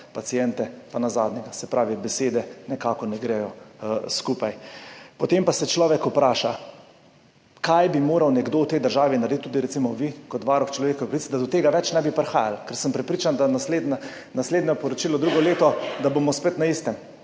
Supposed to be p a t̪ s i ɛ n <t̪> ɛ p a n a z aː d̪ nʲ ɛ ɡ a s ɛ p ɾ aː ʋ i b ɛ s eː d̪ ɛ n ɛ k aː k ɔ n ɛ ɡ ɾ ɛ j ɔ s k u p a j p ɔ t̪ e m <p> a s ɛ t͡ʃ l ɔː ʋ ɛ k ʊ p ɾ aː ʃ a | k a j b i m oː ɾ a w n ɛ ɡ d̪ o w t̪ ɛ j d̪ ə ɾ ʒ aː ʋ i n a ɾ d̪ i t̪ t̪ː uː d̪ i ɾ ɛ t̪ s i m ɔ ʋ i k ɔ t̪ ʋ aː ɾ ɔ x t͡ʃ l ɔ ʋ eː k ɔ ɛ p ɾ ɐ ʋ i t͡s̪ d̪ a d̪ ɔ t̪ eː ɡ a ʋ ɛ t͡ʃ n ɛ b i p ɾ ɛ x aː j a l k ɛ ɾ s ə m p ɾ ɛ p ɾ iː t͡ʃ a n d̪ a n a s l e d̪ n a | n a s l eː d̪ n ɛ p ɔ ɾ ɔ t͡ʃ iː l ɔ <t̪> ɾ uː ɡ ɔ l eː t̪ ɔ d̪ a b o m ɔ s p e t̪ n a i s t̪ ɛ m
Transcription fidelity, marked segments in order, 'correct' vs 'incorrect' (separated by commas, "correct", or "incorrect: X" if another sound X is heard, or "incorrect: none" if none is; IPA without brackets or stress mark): correct, correct, incorrect: d̪